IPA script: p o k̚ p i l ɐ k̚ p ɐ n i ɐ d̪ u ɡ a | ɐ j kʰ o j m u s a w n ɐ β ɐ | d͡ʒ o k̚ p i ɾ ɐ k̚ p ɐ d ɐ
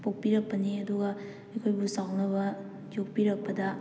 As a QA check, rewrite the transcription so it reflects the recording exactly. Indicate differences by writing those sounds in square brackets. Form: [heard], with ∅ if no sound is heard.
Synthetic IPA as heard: p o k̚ p i [ɾ] ɐ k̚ p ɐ n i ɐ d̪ u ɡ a | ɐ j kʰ o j [b] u s a w n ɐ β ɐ | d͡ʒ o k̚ p i ɾ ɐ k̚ p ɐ d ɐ